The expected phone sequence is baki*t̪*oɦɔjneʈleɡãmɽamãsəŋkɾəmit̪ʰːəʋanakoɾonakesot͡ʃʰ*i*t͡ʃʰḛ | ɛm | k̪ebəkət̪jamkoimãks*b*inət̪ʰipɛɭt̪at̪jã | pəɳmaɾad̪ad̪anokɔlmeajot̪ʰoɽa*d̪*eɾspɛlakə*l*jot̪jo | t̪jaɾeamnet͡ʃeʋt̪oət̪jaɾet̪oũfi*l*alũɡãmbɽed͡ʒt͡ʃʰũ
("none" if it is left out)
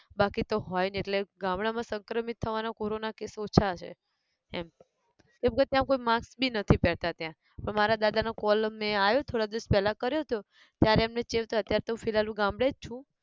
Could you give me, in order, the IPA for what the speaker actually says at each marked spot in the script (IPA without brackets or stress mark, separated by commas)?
t̪, a, b, d̪, ɾ, l